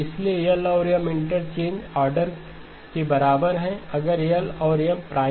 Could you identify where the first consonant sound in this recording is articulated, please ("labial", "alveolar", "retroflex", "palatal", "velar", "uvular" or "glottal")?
alveolar